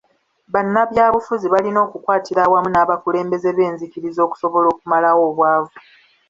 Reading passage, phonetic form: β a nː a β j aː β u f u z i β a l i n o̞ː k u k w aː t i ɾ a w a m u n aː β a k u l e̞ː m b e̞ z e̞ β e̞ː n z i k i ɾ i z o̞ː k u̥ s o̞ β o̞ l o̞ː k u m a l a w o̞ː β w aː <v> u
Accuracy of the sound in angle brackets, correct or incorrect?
correct